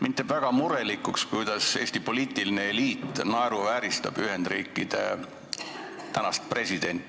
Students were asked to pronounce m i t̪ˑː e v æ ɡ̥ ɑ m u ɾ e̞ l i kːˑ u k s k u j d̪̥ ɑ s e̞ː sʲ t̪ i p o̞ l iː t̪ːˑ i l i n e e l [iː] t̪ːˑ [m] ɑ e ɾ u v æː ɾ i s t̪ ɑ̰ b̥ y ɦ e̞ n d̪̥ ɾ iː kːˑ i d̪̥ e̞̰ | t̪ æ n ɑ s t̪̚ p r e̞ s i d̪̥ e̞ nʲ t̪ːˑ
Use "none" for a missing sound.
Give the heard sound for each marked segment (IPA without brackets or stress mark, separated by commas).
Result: iː, n